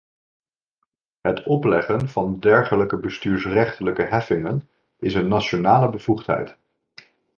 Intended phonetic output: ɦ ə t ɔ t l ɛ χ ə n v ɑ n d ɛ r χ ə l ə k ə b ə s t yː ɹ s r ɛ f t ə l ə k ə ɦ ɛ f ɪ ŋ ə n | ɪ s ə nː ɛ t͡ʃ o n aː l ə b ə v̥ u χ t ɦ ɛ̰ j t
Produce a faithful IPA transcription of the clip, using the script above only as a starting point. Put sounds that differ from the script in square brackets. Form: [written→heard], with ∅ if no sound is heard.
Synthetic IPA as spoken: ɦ ə t ɔ [t→p] l ɛ χ ə n v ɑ n d ɛ [r→ɹ] χ ə l ə k ə b ə s t yː ɹ s r ɛ [f→χ] t ə l ə k ə ɦ ɛ f ɪ ŋ ə n | ɪ s ə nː [ɛ→a] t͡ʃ o n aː l ə b ə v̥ u χ t ɦ ɛ̰ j t

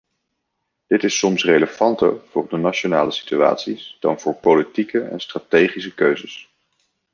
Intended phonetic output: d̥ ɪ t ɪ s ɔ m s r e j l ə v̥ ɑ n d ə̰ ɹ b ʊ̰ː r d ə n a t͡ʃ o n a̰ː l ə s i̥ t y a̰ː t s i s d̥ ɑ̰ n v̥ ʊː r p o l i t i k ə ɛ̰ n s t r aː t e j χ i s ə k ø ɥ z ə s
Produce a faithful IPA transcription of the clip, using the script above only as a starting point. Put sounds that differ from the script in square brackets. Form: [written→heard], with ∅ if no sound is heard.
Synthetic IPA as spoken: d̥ ɪ t ɪ s ɔ m s r e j l ə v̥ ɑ n [d→t] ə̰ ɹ [b→v] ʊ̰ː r d ə n a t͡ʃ o n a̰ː l ə s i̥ t y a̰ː t s i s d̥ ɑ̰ n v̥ ʊː [r→ɹ] p o l i t i k ə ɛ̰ n s t r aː t e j χ i s ə k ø ɥ z ə s

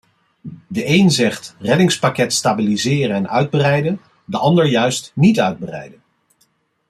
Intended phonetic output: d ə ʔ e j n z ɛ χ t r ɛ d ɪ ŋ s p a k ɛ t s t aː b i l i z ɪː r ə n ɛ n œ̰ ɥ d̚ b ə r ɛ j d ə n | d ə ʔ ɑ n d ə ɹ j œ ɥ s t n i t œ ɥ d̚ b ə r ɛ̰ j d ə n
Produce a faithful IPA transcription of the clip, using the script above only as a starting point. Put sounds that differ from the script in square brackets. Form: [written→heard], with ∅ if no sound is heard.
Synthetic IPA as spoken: d ə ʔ e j n z ɛ χ t r ɛ d ɪ ŋ s p a k ɛ t s t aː b i l i z ɪː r ə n ɛ n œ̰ ɥ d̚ b ə r ɛ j d ə n | d ə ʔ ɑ n d ə ɹ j œ ɥ s t n i t œ ɥ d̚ b ə r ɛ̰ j d ə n

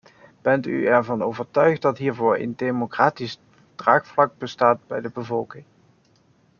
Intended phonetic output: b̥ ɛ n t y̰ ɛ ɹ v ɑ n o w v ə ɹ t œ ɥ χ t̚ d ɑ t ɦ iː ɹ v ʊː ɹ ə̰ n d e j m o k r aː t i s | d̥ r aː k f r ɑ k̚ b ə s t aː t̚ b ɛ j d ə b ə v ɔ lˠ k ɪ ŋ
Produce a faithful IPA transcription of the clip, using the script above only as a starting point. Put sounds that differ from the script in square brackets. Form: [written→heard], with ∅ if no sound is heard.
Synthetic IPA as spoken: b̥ ɛ n t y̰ ɛ ɹ v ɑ n o w v ə ɹ t œ ɥ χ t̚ d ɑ t ɦ iː ɹ v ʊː ɹ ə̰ n d e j m o k r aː t i s | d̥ r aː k f [r→l] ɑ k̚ b ə s t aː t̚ b ɛ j d ə b ə v ɔ lˠ k ɪ ŋ

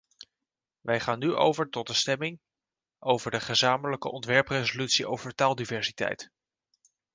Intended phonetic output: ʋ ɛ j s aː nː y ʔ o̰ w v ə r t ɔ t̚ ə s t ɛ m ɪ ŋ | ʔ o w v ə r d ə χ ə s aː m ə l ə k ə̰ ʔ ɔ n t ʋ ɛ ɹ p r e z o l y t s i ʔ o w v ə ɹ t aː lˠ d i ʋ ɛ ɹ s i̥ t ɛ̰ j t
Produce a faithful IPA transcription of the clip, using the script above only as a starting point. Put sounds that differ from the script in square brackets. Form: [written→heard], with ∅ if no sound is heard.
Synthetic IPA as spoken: ʋ ɛ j [s→χ] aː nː y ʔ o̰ w v ə [r→ɹ] t ɔ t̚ ə s t ɛ m ɪ ŋ | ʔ o w v ə [r→ɹ] d ə χ ə [s→z] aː m ə l ə k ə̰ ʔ ɔ n t ʋ ɛ ɹ p r e z o l y t s i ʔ o w v ə ɹ t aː lˠ d i [ʋ→v] ɛ ɹ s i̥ t ɛ̰ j t

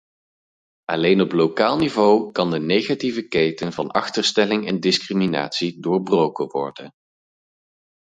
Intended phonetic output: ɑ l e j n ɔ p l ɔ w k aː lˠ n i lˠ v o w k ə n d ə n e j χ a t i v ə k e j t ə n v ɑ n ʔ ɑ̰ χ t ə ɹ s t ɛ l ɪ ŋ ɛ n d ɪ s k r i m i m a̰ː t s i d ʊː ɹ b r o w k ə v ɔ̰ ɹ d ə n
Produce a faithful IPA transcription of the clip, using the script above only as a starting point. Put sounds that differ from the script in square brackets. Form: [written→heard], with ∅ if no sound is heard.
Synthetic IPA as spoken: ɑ l e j n ɔ p l [ɔ→o] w k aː lˠ n i [lˠ→∅] v o w k [ə→ɑ] n d ə n e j χ a t i v ə k e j t ə n v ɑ n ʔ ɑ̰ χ t ə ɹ s t ɛ l ɪ ŋ ɛ n d ɪ s k r i m i [m→n] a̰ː t s i d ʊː ɹ b r o w k ə [v→ʋ] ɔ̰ ɹ d ə n

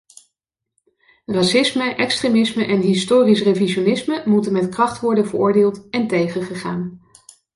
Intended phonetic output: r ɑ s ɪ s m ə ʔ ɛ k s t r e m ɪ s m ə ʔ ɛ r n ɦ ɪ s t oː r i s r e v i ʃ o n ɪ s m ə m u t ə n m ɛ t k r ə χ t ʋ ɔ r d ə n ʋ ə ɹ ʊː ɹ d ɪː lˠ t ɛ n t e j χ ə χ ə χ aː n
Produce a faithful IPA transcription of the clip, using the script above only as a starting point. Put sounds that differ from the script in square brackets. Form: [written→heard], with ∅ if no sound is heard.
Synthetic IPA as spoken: r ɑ s ɪ s m ə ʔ ɛ k s t r e m ɪ s m ə ʔ ɛ [r→∅] n ɦ ɪ s t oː r i s r e v i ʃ o n ɪ s m ə m u t ə n m ɛ t k r [ə→ɑ] χ t ʋ ɔ [r→ɹ] d ə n [ʋ→v] ə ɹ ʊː ɹ d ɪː lˠ t ɛ n t e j χ ə χ ə χ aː n

